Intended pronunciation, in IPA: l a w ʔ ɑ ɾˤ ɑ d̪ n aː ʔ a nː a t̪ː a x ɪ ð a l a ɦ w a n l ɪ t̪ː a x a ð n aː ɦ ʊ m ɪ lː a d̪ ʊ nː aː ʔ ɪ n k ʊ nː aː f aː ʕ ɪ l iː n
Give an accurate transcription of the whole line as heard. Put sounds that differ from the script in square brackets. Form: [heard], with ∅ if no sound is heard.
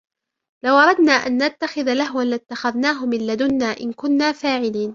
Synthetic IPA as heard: l a w ʔ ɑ ɾˤ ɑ d̪ n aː ʔ a nː a t̪ː a x ɪ ð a l a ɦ w a n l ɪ t̪ː a x a ð n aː ɦ ʊ m ɪ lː a d̪ ʊ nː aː ʔ ɪ n k ʊ nː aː f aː ʕ ɪ l iː n